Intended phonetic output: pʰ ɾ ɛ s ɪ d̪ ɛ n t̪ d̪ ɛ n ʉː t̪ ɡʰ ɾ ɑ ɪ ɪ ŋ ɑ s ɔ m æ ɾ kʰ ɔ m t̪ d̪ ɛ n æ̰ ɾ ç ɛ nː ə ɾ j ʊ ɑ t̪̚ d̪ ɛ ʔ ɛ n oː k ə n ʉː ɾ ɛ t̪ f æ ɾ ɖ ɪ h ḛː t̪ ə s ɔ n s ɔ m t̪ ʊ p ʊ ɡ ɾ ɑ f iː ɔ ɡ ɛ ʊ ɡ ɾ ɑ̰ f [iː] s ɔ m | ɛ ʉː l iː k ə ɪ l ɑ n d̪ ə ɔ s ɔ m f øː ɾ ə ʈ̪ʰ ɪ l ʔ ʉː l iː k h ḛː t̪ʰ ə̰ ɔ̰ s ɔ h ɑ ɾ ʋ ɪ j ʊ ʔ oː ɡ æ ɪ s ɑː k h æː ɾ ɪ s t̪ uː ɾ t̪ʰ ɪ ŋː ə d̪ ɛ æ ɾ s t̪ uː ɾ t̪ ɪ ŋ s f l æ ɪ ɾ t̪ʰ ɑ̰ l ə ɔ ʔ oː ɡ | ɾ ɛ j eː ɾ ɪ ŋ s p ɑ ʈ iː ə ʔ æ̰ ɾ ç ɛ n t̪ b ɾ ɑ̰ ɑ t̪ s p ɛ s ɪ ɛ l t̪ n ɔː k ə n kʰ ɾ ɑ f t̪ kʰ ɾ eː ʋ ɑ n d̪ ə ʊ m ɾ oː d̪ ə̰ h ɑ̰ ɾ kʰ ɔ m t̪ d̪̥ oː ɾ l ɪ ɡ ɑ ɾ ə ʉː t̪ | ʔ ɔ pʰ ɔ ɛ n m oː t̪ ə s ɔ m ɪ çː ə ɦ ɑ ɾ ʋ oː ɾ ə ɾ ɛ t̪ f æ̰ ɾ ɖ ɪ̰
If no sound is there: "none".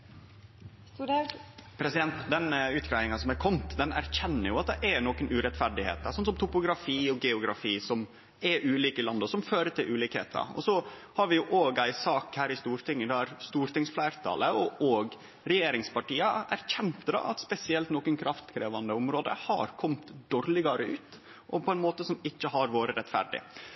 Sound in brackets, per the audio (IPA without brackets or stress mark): iː